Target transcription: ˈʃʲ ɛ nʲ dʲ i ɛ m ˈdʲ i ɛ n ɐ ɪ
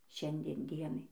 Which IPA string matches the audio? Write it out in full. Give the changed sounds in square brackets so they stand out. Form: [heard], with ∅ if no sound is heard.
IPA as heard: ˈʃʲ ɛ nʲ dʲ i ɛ [n] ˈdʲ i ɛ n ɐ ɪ

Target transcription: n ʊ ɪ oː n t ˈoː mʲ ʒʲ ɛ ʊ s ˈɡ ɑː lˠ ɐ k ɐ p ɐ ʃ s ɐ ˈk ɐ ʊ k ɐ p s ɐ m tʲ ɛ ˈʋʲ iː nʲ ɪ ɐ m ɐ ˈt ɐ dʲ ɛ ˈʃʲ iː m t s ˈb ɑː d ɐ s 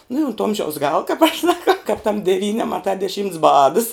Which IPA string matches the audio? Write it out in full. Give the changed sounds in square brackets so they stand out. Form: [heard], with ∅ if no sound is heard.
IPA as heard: n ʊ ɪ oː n t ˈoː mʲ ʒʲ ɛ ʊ s ˈɡ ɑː lˠ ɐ k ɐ p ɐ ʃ s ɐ ˈk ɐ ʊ k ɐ p [t] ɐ m [dʲ] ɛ ˈʋʲ iː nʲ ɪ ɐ m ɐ ˈt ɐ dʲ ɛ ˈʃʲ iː m t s ˈb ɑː d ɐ s

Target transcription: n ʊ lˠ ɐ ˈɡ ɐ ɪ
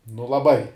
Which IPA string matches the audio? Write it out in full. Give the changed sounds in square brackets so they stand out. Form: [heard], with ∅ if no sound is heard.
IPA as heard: n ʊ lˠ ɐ [ˈb] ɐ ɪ

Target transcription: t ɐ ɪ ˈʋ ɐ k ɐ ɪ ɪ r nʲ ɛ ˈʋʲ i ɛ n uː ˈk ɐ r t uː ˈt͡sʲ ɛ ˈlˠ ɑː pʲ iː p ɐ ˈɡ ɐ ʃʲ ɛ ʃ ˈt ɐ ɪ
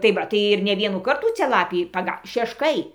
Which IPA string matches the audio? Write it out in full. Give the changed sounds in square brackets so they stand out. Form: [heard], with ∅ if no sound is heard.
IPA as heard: t ɐ ɪ ˈʋ ɐ [t] ɐ ɪ ɪ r nʲ ɛ ˈʋʲ i ɛ n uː ˈk ɐ r t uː ˈt͡sʲ ɛ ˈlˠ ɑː pʲ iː p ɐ ˈɡ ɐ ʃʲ ɛ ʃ [ˈk] ɐ ɪ

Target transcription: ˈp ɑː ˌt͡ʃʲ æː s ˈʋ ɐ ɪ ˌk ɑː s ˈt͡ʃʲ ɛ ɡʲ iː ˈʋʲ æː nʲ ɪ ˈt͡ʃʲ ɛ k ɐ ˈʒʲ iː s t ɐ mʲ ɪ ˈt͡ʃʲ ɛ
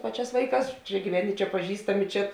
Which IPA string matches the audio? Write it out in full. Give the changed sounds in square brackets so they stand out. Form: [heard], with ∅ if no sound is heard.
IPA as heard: ˈp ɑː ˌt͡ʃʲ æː s ˈʋ ɐ ɪ ˌk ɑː s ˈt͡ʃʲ ɛ ɡʲ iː ˈʋʲ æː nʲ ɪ ˈt͡ʃʲ ɛ [p] ɐ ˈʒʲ iː s t ɐ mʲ ɪ ˈt͡ʃʲ ɛ

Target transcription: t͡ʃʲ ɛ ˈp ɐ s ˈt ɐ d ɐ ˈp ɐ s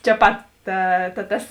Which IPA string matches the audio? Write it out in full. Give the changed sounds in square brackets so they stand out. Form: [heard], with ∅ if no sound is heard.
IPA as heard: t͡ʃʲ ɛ ˈp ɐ [t] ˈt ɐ [t] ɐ [ˈt] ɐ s

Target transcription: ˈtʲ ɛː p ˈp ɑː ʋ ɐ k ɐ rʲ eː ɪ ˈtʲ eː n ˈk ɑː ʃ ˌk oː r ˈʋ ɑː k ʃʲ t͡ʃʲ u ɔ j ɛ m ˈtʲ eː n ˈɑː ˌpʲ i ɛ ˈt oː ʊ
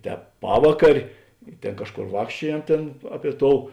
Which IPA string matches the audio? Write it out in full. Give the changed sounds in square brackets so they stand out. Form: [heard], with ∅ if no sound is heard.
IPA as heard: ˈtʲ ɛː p ˈp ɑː ʋ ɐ k ɐ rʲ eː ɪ ˈtʲ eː n ˈk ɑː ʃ ˌk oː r ˈʋ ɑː k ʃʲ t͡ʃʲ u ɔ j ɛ m ˈtʲ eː n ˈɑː ˌpʲ i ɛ ˈt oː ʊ

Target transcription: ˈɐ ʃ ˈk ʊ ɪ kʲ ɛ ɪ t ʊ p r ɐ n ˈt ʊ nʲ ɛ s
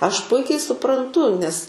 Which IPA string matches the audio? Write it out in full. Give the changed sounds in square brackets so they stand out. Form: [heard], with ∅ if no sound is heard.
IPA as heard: ˈɐ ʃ [ˈp] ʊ ɪ kʲ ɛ ɪ [s] ʊ p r ɐ n ˈt ʊ nʲ ɛ s

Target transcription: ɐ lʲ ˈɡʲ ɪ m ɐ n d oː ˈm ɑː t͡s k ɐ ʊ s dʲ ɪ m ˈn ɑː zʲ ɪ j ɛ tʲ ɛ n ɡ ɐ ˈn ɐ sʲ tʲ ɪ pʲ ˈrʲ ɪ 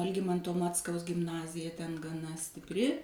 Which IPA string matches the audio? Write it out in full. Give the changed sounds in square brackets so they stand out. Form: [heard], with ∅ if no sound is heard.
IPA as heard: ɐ lʲ ˈɡʲ ɪ m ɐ n [t] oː ˈm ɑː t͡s k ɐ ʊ s [ɡʲ] ɪ m ˈn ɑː zʲ ɪ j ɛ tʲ ɛ n ɡ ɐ ˈn ɐ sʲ tʲ ɪ pʲ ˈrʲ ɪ

